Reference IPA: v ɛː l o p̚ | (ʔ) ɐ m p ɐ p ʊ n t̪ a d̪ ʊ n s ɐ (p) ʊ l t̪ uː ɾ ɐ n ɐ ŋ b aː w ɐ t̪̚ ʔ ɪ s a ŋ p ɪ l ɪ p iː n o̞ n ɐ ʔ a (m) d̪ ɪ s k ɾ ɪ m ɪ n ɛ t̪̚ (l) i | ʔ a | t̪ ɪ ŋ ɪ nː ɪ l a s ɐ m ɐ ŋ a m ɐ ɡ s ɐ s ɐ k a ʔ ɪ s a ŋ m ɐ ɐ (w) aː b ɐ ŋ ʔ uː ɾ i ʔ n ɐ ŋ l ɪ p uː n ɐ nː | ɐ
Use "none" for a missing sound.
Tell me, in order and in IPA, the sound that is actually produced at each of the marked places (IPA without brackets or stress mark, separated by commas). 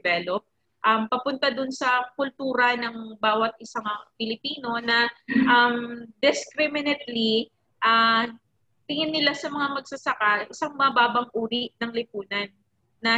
ʔ, k, m, l, b